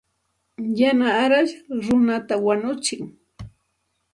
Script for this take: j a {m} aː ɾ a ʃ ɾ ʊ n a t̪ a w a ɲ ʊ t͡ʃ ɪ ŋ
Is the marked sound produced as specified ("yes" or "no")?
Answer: no